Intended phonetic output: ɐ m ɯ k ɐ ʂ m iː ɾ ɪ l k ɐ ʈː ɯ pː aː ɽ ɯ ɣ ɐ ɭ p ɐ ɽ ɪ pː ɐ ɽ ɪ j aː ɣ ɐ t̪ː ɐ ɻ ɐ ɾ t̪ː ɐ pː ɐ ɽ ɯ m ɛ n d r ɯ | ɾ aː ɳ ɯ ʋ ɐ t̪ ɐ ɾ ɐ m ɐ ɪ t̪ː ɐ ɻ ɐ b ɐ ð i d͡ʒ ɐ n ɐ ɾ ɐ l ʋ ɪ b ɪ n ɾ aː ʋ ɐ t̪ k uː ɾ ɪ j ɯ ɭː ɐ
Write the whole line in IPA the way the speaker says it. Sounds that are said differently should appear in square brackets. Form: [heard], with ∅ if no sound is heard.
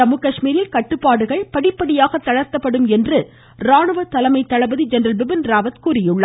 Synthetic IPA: ɐ m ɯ k ɐ ʂ m iː ɾ ɪ l k ɐ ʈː ɯ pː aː ɽ ɯ ɣ ɐ ɭ p ɐ ɽ ɪ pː ɐ ɽ ɪ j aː ɣ ɐ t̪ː ɐ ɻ ɐ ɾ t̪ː ɐ pː ɐ ɽ ɯ m ɛ n d r ɯ | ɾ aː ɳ ɯ ʋ ɐ t̪ ɐ [l] ɐ m ɐ ɪ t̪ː ɐ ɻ ɐ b ɐ ð i d͡ʒ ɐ n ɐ ɾ ɐ l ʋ ɪ b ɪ n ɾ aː ʋ ɐ t̪ k uː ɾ ɪ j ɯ ɭː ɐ